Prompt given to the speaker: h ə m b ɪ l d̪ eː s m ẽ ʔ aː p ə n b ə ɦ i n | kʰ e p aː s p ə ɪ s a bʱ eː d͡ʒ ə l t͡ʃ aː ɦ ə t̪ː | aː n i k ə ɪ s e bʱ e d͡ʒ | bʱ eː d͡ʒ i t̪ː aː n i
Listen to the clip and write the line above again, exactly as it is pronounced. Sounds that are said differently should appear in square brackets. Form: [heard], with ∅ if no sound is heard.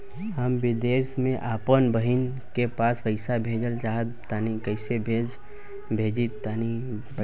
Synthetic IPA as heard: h ə m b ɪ [∅] d̪ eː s m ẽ ʔ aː p ə n b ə ɦ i n | [k] e p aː s p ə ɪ s a bʱ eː d͡ʒ ə l t͡ʃ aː ɦ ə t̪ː | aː n i k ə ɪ s e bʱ e d͡ʒ | bʱ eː d͡ʒ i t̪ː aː n i

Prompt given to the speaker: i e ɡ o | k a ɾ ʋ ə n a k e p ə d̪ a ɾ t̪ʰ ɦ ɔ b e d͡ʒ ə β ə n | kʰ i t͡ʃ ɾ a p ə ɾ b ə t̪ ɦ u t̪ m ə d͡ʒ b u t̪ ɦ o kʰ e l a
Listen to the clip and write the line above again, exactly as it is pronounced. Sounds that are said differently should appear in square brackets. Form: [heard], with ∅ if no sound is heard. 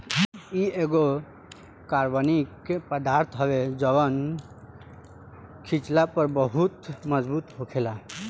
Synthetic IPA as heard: i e ɡ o | k a ɾ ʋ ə n [i] k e p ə d̪ a ɾ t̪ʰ ɦ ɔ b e d͡ʒ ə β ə n | kʰ i t͡ʃ [l] a p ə ɾ b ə [∅] ɦ u t̪ m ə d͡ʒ b u t̪ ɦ o kʰ e l a

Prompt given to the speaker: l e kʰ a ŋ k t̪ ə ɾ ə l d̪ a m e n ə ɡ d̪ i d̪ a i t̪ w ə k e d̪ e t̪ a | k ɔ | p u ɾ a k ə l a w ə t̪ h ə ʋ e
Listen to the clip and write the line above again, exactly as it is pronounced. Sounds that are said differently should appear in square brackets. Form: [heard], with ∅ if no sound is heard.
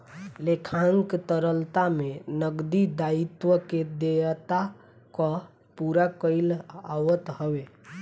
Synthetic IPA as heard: l e kʰ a ŋ k t̪ ə ɾ ə l [t̪] a m e n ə ɡ d̪ i d̪ a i t̪ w ə k e d̪ e t̪ a | k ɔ | p u ɾ a k ə l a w ə t̪ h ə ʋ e

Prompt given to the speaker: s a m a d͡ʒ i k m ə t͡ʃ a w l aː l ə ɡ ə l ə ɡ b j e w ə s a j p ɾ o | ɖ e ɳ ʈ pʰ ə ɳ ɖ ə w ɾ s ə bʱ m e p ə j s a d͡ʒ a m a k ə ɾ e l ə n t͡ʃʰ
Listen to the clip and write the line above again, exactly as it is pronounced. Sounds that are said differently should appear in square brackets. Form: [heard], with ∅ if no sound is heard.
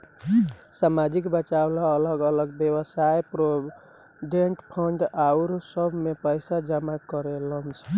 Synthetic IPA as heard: s a m a d͡ʒ i k [b] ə t͡ʃ a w l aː l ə ɡ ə l ə ɡ b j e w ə s a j p ɾ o | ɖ e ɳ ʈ pʰ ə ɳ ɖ [a] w ɾ s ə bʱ m e p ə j s a d͡ʒ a m a k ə ɾ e l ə n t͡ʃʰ

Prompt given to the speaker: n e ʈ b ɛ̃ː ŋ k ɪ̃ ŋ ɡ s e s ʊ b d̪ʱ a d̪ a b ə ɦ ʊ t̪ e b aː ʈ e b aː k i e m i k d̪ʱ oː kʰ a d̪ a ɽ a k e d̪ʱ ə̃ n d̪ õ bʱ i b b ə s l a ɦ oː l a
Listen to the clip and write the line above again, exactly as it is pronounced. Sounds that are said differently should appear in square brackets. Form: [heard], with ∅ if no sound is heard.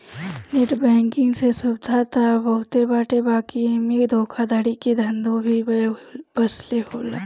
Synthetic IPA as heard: n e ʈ b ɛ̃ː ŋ k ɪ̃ ŋ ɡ s e s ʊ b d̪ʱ a [t̪] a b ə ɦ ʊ t̪ e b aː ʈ e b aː k i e m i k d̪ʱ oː kʰ a d̪ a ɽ [i] k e d̪ʱ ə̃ n d̪ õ bʱ i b b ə s l [e] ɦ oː l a

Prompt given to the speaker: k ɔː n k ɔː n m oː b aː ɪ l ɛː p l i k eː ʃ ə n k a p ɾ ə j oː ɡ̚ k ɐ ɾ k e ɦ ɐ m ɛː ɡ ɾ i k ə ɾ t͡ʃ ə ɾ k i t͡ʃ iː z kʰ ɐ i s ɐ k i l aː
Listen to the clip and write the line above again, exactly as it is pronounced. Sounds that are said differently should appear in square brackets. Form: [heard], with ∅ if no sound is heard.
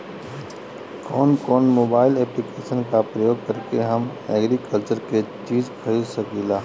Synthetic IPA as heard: k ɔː n k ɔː n m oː b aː ɪ l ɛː p l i k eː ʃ ə n k a p ɾ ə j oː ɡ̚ k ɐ ɾ k e ɦ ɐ m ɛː ɡ ɾ i k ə [l] t͡ʃ ə ɾ k [e] t͡ʃ iː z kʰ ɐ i s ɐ k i l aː

